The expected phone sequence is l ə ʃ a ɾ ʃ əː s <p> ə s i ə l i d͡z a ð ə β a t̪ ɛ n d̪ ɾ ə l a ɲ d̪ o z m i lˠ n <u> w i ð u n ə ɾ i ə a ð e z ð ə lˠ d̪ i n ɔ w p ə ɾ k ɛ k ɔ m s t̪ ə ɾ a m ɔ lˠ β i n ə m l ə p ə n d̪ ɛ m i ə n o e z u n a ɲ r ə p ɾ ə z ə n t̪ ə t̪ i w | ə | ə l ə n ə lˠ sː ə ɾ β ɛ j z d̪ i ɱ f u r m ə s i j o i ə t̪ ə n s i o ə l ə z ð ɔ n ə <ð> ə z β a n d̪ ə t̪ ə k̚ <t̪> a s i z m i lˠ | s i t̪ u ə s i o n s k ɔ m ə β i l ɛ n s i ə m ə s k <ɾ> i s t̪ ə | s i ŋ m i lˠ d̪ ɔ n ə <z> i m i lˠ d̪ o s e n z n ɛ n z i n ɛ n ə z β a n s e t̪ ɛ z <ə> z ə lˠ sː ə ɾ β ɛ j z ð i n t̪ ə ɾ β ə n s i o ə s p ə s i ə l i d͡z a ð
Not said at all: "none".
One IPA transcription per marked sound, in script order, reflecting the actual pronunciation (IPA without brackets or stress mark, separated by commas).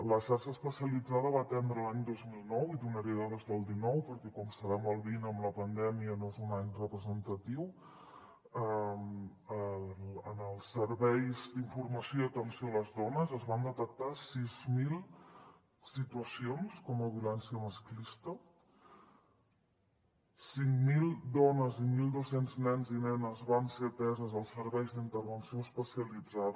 p, ɔ, z, t̪, l, z, ə